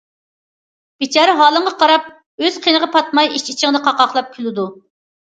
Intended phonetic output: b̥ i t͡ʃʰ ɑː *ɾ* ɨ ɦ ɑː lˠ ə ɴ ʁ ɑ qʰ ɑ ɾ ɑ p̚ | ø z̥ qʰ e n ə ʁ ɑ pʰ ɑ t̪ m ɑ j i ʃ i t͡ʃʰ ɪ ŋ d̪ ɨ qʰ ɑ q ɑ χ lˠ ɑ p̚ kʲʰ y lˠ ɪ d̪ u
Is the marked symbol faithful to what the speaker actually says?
yes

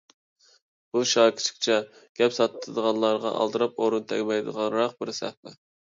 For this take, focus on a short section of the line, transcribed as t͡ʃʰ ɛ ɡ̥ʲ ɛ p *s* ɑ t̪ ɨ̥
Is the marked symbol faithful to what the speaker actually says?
yes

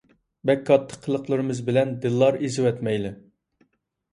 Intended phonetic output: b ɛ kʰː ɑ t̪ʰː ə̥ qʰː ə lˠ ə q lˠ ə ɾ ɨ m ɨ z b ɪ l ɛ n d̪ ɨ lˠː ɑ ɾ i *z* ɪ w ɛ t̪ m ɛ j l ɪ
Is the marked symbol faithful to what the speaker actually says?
yes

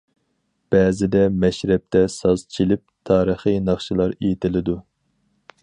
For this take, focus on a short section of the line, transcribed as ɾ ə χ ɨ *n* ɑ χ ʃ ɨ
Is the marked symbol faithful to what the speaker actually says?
yes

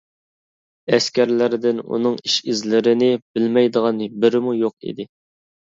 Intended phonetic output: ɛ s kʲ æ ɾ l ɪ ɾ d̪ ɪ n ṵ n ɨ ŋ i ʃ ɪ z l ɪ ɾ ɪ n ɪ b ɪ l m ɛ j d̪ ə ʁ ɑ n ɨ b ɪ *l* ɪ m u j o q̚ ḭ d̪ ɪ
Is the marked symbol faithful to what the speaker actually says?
no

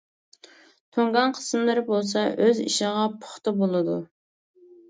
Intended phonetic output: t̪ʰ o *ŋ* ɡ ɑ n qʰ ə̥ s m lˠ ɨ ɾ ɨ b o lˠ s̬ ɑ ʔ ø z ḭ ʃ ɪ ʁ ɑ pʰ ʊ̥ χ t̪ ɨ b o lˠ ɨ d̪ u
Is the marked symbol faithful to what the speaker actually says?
yes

